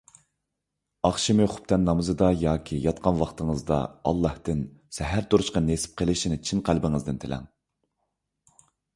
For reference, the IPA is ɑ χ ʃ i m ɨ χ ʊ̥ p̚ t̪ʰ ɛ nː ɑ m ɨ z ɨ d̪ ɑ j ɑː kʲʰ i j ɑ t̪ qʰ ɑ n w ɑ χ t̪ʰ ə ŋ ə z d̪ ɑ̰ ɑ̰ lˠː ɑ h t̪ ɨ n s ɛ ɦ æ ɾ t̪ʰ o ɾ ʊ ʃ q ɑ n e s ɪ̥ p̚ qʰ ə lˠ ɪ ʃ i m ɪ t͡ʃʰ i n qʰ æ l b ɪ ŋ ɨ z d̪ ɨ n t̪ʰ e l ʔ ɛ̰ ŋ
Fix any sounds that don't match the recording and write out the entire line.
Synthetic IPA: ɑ χ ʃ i m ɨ χ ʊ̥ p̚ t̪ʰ ɛ nː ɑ m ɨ z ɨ d̪ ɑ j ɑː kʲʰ i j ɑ t̪ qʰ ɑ n w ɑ χ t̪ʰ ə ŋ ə z d̪ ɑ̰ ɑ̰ lˠː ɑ h t̪ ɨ n s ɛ ɦ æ ɾ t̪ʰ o ɾ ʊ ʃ q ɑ n e s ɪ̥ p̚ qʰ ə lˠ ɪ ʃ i n ɪ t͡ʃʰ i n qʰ æ l b ɪ ŋ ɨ z d̪ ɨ n t̪ʰ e l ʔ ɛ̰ ŋ